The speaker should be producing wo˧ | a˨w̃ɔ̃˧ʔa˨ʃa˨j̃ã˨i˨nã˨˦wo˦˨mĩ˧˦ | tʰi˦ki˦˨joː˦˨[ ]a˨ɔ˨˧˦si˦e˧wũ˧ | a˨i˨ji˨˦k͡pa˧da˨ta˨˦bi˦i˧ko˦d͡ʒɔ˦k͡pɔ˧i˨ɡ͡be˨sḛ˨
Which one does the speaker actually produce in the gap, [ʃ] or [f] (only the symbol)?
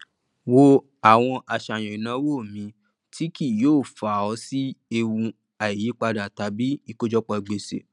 f